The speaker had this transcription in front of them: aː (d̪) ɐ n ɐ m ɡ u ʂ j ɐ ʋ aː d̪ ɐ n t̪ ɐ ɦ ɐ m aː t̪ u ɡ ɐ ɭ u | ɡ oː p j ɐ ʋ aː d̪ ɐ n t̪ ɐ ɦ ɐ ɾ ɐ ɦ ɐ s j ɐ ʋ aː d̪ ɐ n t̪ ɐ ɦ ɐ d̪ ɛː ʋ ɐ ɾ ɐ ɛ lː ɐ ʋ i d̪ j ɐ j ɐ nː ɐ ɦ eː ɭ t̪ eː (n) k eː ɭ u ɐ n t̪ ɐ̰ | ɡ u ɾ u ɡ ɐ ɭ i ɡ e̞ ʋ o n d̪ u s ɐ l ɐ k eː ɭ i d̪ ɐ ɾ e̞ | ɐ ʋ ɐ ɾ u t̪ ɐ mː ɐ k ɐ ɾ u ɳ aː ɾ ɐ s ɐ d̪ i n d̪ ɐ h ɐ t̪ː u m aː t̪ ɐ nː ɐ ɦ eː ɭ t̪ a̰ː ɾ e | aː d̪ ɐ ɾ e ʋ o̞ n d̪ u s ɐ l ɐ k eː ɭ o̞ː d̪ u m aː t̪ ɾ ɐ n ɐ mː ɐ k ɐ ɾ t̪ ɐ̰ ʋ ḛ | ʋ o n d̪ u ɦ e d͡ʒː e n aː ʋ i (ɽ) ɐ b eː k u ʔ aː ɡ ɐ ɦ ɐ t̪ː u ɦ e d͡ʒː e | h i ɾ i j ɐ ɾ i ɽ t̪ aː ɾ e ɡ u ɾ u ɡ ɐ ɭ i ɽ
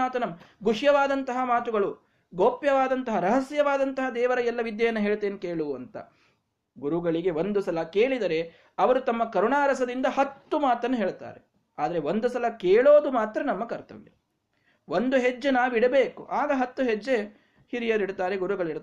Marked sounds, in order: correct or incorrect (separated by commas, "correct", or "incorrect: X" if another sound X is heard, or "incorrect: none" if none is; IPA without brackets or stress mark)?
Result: incorrect: t̪, correct, correct